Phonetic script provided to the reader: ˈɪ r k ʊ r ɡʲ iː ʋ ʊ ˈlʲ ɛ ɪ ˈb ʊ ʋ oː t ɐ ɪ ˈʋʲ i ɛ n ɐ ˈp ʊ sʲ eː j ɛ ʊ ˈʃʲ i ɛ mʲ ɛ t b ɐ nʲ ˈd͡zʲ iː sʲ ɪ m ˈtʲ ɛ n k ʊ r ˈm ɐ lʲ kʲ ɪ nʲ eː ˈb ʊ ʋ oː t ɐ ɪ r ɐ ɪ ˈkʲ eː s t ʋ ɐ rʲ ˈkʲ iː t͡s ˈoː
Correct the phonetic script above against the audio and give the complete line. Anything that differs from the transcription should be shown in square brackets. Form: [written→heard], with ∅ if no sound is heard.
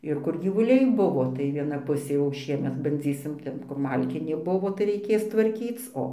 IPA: ˈɪ r k ʊ r ɡʲ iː ʋ ʊ ˈlʲ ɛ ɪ ˈb ʊ ʋ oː t ɐ ɪ ˈʋʲ i ɛ n ɐ ˈp ʊ sʲ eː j ɛ ʊ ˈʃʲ i ɛ mʲ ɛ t b ɐ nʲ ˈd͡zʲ iː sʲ ɪ m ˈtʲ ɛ n k ʊ r ˈm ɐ lʲ kʲ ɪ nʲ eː ˈb ʊ ʋ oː t ɐ ɪ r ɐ ɪ ˈkʲ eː s t ʋ ɐ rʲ ˈkʲ iː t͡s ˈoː